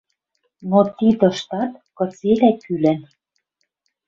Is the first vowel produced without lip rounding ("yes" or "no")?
no